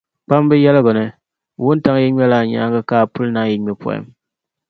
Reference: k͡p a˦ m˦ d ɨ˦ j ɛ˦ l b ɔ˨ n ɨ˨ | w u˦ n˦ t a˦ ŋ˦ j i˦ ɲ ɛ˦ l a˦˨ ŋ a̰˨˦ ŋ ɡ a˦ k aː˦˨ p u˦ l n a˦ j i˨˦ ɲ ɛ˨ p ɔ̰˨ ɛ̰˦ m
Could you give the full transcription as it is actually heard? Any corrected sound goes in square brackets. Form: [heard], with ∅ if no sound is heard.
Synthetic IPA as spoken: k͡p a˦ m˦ [b] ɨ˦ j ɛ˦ l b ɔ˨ n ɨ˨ | w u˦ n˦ t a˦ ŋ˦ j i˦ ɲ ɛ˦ l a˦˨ [ɲ] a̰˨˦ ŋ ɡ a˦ k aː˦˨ p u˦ l n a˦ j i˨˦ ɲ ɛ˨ p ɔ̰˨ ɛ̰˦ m